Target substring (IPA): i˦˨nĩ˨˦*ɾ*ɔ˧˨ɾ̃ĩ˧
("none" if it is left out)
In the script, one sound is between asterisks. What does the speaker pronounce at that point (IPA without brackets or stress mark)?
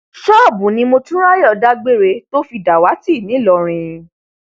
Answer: l